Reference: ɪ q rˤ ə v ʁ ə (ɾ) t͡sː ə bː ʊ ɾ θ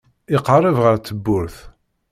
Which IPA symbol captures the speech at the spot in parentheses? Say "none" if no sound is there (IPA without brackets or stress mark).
ɾ